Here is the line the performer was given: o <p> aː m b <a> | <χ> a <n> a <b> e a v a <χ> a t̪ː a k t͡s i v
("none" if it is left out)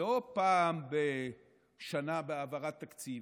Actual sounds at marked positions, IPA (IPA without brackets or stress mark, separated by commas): p, e, ʃ, n, b, ʁ